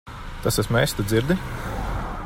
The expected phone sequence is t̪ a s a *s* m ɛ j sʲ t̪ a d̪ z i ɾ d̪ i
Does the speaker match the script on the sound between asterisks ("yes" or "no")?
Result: yes